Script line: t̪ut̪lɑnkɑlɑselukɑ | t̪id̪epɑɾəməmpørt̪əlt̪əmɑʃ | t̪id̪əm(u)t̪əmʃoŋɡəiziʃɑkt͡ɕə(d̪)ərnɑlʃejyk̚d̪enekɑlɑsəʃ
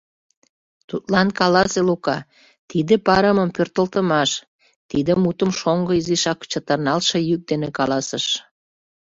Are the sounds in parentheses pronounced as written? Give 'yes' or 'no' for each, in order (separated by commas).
yes, no